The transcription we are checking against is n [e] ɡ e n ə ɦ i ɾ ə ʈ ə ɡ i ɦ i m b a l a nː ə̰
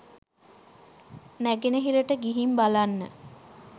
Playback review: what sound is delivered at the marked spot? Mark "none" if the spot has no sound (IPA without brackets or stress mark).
æ